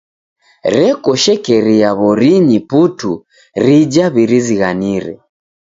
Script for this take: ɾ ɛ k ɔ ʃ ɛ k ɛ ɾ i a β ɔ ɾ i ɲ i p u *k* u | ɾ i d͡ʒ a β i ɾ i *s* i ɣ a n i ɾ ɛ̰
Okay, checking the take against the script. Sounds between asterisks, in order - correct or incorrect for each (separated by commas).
incorrect, incorrect